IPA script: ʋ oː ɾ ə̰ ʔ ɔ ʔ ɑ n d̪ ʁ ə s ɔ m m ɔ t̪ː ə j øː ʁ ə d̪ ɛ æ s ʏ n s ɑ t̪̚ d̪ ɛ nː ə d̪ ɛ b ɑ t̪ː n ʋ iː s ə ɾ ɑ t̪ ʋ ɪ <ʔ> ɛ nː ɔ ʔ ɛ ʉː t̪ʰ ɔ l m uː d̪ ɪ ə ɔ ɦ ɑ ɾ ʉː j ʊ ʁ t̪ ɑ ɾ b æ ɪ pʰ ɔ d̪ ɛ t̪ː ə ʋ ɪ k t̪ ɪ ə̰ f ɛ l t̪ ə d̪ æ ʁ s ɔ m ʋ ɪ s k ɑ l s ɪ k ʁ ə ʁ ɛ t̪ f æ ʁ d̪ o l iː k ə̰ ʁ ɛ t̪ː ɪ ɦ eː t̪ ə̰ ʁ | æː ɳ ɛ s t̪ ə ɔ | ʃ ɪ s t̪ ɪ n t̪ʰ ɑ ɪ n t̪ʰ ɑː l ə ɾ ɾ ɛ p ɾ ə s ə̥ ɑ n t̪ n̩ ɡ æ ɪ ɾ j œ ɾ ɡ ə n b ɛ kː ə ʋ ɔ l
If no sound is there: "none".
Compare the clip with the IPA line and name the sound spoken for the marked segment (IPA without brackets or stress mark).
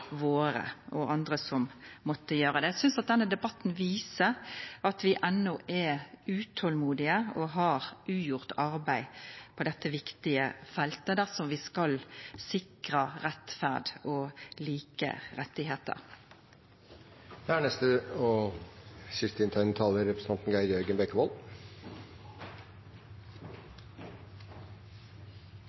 ʔ